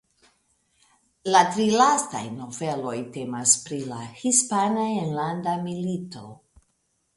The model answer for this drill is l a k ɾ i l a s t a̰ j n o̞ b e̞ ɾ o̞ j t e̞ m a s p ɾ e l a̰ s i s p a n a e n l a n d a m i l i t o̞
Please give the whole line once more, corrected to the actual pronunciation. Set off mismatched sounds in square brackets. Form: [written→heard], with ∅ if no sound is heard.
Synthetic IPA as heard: l a [k→t] ɾ i l a s t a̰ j n o̞ [b→v] e̞ [ɾ→l] o̞ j t e̞ m a s p ɾ [e→i] l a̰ [s→h] i s p a n a e n l a n d a m i l i t o̞